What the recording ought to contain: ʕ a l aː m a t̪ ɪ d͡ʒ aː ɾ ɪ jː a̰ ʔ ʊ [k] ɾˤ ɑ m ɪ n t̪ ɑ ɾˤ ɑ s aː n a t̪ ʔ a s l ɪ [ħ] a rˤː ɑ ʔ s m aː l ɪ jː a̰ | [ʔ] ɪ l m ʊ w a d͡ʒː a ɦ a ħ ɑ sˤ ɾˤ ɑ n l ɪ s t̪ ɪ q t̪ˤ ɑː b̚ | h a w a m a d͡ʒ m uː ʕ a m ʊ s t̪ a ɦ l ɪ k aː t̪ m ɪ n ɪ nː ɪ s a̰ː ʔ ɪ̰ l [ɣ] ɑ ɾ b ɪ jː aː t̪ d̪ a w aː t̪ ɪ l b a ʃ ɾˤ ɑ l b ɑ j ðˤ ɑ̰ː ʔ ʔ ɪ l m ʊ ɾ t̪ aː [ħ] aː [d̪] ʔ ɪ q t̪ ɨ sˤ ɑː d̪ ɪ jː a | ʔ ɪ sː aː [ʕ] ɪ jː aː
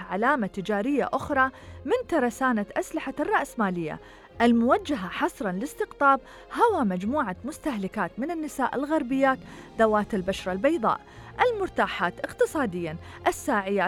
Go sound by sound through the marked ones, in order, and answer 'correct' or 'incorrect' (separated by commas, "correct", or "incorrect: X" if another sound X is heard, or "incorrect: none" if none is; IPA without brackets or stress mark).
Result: incorrect: x, correct, correct, correct, correct, incorrect: t̪, correct